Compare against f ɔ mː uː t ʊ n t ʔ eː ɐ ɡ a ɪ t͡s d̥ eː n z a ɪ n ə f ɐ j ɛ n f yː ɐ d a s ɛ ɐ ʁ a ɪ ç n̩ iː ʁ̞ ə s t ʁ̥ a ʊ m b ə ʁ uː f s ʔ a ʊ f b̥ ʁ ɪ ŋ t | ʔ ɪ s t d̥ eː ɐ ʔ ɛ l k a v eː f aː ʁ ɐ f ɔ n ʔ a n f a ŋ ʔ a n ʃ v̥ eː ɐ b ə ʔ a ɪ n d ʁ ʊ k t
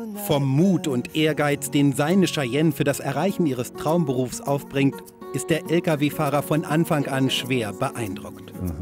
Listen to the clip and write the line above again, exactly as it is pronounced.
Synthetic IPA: f ɔ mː uː t ʊ n t ʔ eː ɐ ɡ a ɪ t͡s d̥ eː n z a ɪ n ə ʃ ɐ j ɛ n f yː ɐ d a s ɛ ɐ ʁ a ɪ ç n̩ iː ʁ̞ ə s t ʁ̥ a ʊ m b ə ʁ uː f s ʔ a ʊ f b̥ ʁ ɪ ŋ t | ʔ ɪ s t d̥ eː ɐ ʔ ɛ l k a v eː f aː ʁ ɐ f ɔ n ʔ a n f a ŋ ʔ a n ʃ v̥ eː ɐ b ə ʔ a ɪ n d ʁ ʊ k t